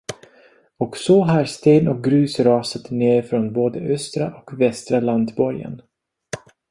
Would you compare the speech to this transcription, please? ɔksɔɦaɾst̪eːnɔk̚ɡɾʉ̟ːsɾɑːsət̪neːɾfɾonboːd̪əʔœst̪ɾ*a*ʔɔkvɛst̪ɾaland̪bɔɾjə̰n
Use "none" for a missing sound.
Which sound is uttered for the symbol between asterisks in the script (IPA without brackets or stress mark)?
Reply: a